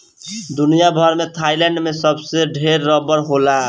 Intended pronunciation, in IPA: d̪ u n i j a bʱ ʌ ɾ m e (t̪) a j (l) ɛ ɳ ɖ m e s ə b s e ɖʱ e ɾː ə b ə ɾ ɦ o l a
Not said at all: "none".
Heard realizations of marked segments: t̪ʰ, l

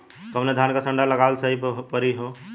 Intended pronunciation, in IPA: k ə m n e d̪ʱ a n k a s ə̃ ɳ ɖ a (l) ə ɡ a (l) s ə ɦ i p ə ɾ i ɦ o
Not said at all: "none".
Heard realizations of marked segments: l, l

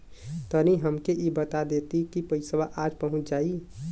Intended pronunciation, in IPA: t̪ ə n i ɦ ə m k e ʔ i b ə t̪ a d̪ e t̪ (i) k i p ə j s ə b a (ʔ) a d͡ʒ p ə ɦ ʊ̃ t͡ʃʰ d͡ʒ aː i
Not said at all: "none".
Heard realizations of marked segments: i, ʔ

